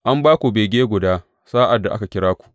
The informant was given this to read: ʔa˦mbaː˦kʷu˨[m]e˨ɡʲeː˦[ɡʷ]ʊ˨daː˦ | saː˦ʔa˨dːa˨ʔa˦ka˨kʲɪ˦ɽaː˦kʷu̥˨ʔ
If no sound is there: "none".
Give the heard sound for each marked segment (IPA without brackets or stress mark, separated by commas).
b, ɡʷ